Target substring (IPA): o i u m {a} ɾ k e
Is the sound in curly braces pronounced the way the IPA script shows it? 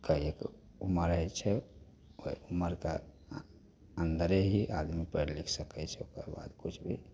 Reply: no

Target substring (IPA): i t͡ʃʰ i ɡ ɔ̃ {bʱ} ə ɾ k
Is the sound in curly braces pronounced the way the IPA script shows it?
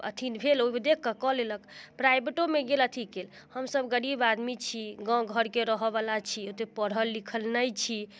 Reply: no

